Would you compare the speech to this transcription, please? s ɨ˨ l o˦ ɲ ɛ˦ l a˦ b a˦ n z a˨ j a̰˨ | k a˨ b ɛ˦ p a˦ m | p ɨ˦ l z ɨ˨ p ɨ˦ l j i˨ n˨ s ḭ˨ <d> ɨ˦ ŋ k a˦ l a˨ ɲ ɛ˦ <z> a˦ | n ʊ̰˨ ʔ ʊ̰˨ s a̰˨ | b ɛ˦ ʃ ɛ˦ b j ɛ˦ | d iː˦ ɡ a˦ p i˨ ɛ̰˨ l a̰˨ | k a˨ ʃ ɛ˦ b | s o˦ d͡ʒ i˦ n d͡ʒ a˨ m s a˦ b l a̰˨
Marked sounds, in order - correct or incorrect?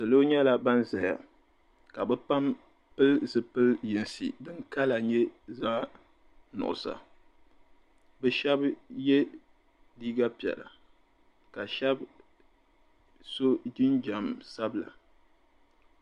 correct, correct

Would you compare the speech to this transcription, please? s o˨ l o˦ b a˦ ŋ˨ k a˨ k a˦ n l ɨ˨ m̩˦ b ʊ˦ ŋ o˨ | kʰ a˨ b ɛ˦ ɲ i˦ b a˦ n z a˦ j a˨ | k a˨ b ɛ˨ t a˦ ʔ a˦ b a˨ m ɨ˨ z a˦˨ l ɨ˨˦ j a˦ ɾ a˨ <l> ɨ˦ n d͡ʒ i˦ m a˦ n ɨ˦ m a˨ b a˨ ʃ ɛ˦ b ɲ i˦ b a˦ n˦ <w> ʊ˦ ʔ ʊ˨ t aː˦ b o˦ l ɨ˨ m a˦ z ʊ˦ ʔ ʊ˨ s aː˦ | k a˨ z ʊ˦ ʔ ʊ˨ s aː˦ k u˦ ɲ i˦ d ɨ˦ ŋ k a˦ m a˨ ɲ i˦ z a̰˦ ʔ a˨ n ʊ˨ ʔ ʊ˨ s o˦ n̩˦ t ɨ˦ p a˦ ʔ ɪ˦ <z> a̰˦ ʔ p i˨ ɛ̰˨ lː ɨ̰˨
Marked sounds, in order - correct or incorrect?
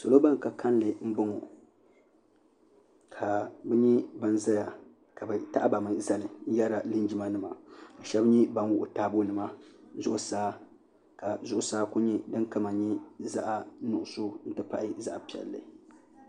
correct, correct, correct

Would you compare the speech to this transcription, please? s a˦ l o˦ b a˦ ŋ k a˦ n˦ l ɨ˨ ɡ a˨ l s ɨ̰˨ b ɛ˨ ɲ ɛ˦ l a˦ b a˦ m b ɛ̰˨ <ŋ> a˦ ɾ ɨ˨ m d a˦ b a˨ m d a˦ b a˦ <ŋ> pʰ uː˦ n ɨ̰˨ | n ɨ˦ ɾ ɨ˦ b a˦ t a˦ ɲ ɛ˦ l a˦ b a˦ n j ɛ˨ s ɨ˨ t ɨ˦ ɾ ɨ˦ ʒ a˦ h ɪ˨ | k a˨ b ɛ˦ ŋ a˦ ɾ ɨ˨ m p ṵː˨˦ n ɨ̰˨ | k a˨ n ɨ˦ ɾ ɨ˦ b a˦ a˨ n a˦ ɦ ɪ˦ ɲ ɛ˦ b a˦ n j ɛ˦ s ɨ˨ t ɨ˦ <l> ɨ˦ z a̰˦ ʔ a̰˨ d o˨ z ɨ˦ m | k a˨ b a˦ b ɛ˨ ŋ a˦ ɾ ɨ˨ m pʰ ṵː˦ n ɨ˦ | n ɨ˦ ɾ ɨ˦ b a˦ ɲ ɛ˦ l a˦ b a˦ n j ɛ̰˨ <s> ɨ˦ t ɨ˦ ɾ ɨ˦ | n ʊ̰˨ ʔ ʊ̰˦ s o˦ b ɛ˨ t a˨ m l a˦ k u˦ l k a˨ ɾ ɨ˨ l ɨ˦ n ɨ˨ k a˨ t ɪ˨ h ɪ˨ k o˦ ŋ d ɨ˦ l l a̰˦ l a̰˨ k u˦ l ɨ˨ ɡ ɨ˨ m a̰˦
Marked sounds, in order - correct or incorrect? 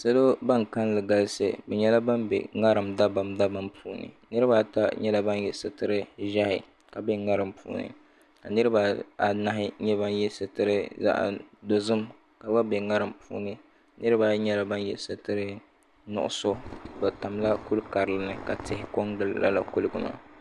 correct, incorrect: m, incorrect: ɾ, correct

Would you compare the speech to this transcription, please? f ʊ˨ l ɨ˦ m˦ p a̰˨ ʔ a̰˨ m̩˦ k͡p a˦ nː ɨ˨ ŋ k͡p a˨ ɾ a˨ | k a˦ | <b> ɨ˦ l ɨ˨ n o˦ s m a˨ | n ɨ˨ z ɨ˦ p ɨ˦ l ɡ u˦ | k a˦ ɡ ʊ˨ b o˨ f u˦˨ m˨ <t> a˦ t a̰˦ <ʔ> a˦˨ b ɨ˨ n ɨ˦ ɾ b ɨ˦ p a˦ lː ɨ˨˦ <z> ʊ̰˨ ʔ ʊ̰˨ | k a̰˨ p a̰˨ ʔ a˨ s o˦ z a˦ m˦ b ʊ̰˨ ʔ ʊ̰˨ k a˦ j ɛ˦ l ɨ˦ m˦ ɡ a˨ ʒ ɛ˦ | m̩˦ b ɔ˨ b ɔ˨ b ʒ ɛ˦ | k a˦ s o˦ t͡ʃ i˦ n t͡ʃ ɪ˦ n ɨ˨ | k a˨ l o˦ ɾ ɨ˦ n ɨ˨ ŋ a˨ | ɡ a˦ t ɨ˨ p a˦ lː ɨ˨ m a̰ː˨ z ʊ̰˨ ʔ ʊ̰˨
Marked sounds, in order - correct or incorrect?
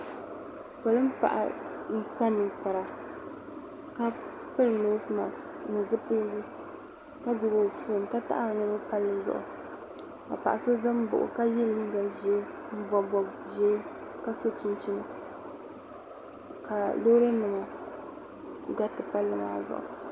incorrect: p, incorrect: k, correct, correct

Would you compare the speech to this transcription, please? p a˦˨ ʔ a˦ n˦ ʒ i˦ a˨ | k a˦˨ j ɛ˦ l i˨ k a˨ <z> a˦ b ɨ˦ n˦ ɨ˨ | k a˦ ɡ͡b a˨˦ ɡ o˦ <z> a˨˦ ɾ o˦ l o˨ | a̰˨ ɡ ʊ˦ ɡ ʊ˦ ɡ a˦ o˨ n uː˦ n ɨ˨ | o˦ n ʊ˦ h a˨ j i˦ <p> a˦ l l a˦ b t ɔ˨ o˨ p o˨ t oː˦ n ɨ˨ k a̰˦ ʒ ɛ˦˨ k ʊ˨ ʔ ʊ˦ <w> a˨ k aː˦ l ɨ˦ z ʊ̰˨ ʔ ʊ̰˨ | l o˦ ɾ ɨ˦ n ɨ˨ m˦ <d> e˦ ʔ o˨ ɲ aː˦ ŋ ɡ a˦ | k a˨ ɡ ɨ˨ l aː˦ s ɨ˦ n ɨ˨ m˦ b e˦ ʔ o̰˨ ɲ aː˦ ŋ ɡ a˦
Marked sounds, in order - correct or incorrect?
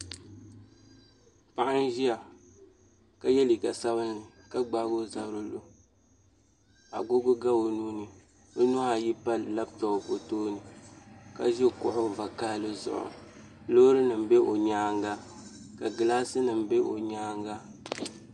incorrect: s, correct, correct, incorrect: v, incorrect: b

